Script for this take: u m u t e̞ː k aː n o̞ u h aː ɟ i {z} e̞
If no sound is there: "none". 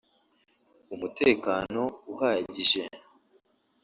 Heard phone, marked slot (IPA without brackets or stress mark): ʒ